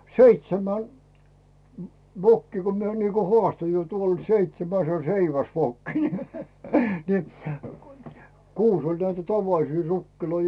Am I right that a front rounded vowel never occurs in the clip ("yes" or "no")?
yes